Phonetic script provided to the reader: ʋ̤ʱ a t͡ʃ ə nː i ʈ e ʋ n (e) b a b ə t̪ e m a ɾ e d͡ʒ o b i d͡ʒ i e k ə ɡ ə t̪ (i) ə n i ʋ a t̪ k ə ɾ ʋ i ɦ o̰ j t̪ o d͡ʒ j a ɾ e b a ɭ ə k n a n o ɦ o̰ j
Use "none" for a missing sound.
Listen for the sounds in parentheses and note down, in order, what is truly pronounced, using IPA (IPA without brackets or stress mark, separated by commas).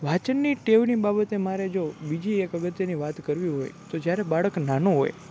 i, j